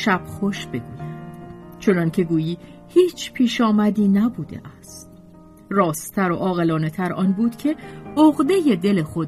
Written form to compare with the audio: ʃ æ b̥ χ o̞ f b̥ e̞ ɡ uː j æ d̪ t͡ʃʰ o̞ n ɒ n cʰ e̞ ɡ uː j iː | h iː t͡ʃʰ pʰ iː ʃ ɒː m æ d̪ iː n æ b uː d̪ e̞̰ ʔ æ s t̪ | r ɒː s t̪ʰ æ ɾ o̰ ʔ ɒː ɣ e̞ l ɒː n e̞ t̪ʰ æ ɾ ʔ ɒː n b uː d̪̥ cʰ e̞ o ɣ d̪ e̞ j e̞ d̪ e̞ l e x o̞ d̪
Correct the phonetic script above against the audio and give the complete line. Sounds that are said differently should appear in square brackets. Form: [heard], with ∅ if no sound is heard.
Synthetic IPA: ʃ æ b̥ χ o̞ [ʃ] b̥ e̞ ɡ uː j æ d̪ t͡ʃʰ o̞ n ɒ n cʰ e̞ ɡ uː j iː | h iː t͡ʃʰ pʰ iː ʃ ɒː m æ d̪ iː n æ b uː d̪ e̞̰ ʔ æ s t̪ | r ɒː s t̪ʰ æ ɾ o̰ ʔ ɒː ɣ e̞ l ɒː n e̞ t̪ʰ æ ɾ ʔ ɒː n b uː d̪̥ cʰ e̞ o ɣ d̪ e̞ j e̞ d̪ e̞ l e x o̞ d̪